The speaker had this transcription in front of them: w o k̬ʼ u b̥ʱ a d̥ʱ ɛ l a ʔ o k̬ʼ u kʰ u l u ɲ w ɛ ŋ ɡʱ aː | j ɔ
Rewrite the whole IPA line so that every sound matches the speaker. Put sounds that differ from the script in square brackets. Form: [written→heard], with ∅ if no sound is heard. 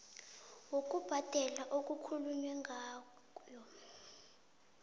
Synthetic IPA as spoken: w o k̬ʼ u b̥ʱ a d̥ʱ ɛ l a ʔ o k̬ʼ u kʰ u l u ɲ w ɛ ŋ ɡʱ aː | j ɔ